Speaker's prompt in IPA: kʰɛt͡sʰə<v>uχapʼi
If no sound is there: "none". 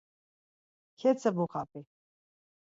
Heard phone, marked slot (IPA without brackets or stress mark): b